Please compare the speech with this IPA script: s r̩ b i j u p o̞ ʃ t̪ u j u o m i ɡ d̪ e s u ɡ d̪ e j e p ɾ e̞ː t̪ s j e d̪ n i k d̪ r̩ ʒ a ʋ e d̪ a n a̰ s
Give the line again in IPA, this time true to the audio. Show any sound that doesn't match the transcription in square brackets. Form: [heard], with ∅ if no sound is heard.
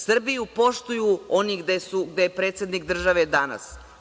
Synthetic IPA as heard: s r̩ b i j u p o̞ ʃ t̪ u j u o [n] i ɡ d̪ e s u ɡ d̪ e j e p ɾ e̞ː t̪ s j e d̪ n i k d̪ r̩ ʒ a ʋ e d̪ a n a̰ s